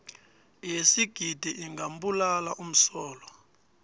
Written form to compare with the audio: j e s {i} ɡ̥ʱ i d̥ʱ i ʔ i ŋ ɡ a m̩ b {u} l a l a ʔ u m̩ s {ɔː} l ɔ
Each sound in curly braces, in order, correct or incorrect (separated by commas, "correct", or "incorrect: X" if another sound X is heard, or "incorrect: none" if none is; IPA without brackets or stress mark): correct, correct, correct